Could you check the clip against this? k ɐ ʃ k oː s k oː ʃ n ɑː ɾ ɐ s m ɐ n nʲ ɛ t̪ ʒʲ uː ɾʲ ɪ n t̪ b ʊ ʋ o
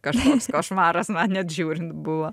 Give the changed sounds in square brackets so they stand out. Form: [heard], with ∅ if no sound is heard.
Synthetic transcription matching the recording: k ɐ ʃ k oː s k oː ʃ [m] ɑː ɾ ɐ s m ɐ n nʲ ɛ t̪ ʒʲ uː ɾʲ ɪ n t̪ b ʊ ʋ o